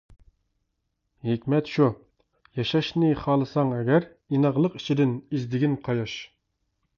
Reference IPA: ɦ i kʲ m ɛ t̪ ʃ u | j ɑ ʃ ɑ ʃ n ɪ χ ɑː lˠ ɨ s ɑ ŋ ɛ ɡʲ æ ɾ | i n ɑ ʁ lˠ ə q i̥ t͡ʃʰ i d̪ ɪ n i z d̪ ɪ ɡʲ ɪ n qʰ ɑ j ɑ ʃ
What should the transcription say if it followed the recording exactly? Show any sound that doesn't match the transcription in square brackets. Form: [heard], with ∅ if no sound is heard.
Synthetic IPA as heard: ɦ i kʲ m ɛ t̪ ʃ u | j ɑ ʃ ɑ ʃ n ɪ χ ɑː lˠ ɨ s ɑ ŋ ɛ ɡʲ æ ɾ | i n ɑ ʁ lˠ ə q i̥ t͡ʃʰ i d̪ ɪ n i z d̪ ɪ ɡʲ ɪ n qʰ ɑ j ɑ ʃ